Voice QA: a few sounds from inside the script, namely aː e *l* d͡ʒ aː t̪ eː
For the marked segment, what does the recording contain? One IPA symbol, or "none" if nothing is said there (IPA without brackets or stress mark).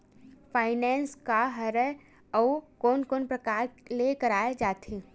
none